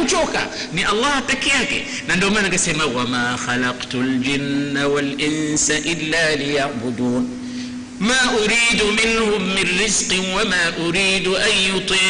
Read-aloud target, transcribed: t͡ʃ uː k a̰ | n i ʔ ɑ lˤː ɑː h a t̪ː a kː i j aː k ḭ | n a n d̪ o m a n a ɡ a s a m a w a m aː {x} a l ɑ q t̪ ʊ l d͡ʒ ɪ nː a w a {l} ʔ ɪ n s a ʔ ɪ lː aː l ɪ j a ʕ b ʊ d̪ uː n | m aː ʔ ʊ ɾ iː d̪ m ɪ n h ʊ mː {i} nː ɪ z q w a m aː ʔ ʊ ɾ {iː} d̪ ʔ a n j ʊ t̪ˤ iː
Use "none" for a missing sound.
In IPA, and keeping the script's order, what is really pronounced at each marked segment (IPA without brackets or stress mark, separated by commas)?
x, l, ɪ, iː